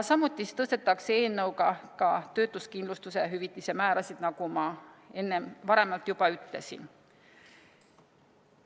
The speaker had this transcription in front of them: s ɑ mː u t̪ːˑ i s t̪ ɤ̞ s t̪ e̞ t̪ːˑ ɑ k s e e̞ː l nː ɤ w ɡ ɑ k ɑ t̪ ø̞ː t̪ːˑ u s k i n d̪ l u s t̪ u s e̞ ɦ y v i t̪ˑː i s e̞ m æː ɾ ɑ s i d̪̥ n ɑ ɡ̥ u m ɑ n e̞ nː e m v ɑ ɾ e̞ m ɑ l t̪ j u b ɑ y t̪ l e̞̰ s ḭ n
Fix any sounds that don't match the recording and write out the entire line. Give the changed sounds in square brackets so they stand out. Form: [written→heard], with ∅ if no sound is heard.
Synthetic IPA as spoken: s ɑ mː u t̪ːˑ i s t̪ ɤ̞ s t̪ e̞ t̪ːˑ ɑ k s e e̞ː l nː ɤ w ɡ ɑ k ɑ t̪ ø̞ː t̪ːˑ u s k i n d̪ l u s t̪ u s e̞ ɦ y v i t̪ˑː i s e̞ m æː ɾ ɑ s i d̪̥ n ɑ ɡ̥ u m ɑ [n→∅] e̞ nː e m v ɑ ɾ e̞ m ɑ l t̪ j u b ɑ y t̪ l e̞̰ s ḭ n